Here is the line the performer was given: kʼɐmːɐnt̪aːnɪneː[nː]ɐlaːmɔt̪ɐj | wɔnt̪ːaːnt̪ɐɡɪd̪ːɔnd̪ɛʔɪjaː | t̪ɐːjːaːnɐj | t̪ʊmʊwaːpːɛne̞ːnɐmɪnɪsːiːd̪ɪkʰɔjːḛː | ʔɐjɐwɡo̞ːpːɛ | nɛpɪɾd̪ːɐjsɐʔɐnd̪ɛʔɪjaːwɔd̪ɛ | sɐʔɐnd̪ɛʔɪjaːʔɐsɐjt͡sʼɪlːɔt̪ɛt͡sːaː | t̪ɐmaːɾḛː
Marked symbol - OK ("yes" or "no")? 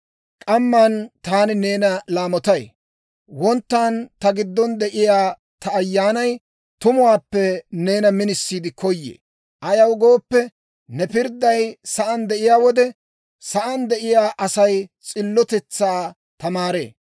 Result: no